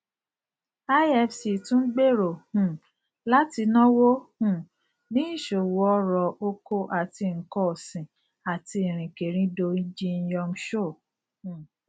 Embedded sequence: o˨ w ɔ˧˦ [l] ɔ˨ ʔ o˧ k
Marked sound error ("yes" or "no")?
yes